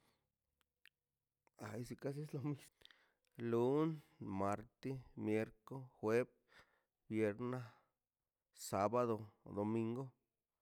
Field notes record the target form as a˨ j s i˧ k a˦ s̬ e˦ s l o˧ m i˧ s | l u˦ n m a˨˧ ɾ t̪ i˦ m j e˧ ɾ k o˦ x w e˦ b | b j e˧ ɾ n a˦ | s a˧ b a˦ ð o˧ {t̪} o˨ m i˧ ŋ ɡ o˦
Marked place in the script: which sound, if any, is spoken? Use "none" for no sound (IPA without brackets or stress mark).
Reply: d̪